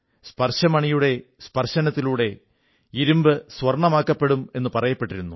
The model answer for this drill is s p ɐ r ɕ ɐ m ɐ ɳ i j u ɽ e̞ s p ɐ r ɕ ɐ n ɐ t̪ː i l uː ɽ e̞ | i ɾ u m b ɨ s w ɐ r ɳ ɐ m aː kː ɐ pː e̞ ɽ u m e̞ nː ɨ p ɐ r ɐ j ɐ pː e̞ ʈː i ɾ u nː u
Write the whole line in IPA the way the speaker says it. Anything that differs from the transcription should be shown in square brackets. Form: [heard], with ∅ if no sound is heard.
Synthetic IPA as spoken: s p ɐ r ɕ ɐ m ɐ ɳ i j u ɽ e̞ s p ɐ r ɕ ɐ n ɐ t̪ː i l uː ɽ e̞ | i ɾ u m b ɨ s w ɐ r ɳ ɐ m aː kː ɐ pː e̞ ɽ u m e̞ nː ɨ p ɐ r ɐ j ɐ pː e̞ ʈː i ɾ u nː u